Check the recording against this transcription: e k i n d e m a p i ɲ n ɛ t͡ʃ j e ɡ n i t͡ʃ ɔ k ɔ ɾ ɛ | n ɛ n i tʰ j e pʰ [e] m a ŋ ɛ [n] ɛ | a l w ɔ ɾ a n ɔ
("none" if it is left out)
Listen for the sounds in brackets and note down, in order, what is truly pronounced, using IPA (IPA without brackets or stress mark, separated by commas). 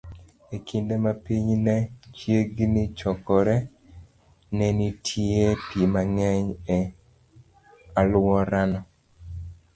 i, ɲ